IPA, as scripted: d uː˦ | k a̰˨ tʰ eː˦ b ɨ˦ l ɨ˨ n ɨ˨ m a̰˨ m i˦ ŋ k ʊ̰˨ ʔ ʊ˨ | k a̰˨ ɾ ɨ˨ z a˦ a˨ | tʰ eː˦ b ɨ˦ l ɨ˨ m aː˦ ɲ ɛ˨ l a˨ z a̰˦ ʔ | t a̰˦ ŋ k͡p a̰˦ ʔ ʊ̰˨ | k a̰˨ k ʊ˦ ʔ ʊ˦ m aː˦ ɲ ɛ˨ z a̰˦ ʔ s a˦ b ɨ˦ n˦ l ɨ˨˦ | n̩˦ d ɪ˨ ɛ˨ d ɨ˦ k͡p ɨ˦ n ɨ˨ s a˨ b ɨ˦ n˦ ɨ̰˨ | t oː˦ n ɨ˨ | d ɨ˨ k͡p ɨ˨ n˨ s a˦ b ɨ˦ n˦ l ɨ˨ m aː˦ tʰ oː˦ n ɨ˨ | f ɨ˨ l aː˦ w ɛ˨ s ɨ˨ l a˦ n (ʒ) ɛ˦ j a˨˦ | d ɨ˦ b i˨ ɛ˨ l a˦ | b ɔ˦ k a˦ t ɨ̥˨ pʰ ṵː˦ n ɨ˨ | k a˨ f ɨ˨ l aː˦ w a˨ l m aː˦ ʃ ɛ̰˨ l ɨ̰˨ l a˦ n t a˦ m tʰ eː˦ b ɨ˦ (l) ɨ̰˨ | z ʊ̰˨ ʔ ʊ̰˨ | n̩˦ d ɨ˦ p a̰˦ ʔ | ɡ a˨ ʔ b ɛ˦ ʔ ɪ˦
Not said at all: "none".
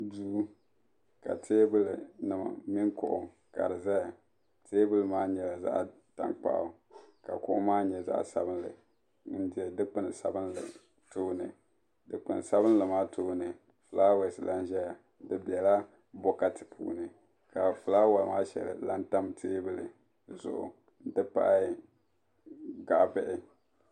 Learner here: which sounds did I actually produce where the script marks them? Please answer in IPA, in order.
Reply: ʒ, l

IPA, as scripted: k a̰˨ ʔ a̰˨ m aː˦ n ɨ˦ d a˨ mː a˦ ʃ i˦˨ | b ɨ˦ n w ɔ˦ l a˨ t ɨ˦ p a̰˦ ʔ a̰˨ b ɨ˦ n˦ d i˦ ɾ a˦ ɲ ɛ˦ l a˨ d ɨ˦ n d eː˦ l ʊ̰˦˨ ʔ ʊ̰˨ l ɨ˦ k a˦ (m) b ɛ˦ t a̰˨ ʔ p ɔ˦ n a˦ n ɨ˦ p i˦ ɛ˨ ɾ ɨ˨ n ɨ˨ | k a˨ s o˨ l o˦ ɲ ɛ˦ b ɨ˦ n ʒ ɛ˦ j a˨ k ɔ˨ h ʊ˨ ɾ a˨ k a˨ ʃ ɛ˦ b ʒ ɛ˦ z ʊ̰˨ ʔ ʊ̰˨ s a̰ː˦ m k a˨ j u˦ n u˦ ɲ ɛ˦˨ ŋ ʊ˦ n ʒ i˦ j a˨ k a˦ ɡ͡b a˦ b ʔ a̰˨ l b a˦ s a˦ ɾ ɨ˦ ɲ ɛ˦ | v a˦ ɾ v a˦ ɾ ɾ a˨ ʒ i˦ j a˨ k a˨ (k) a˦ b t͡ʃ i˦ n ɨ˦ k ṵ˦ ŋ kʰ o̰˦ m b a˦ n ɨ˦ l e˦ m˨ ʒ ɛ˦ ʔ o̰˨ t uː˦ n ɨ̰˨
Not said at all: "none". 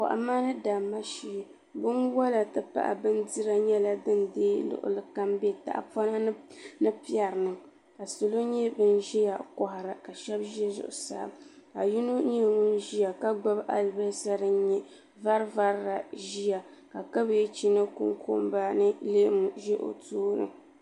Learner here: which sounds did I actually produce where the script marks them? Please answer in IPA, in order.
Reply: m, k

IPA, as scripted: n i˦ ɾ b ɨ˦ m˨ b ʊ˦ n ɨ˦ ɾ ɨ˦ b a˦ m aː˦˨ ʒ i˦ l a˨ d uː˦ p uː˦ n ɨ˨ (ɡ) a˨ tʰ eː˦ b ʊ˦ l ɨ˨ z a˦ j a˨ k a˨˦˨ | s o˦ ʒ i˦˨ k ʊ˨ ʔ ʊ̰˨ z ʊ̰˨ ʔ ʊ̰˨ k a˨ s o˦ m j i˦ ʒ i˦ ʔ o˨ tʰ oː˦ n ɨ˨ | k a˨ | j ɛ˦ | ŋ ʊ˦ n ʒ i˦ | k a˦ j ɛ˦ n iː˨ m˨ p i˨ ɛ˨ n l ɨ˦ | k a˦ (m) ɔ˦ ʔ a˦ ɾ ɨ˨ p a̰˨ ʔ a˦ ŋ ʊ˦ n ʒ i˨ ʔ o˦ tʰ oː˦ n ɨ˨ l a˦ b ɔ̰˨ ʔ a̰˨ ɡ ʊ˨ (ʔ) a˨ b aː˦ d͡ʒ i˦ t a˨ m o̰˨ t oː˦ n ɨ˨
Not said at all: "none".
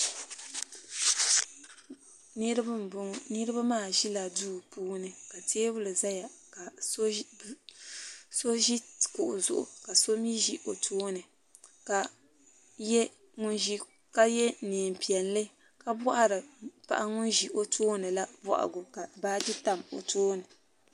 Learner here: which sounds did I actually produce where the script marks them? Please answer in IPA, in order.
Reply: k, b, k

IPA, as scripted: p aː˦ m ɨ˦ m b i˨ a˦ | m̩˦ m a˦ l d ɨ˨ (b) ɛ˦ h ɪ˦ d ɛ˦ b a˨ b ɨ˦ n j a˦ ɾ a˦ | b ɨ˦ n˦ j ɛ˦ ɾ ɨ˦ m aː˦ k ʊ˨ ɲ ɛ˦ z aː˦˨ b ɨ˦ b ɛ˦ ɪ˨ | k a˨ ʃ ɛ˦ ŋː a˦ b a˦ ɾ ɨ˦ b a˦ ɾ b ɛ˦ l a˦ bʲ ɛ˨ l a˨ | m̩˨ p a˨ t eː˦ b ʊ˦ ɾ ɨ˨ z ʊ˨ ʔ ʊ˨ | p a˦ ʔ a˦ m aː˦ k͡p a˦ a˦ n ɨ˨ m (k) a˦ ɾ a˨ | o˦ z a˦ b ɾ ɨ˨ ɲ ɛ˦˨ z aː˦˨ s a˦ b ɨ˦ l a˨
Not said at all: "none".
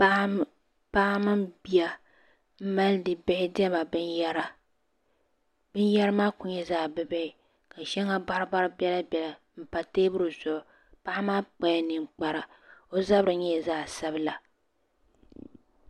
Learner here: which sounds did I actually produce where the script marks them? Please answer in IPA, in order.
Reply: b, k͡p

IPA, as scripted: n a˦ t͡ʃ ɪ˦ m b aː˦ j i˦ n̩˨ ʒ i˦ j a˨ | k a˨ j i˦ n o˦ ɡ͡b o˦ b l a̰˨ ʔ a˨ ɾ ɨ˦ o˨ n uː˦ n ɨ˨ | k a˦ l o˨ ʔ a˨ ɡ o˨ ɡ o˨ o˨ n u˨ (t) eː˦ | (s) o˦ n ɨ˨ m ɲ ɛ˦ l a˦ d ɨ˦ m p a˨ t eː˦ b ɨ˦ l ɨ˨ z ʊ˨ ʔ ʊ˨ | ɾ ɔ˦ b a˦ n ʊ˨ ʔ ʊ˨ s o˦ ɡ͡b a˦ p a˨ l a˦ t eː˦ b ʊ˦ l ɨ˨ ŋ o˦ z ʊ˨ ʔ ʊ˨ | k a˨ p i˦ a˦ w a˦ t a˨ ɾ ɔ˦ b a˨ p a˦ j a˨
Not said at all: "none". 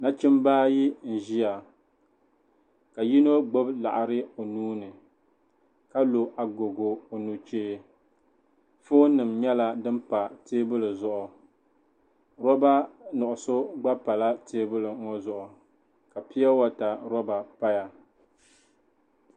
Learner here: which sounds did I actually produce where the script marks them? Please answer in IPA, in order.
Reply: t͡ʃ, f

